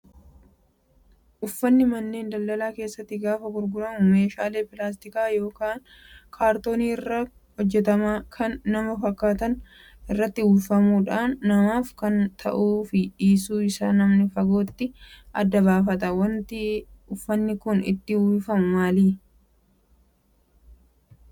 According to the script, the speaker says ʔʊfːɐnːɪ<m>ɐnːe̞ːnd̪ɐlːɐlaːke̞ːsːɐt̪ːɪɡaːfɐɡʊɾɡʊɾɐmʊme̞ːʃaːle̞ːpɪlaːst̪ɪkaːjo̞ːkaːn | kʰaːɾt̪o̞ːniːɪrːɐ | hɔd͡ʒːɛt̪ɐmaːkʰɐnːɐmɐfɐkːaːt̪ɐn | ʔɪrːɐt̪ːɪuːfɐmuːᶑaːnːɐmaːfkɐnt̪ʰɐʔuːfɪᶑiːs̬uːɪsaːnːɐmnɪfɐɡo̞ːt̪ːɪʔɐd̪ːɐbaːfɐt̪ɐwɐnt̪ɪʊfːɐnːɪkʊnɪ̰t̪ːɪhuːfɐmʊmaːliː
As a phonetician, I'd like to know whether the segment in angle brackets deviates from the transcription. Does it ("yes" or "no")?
no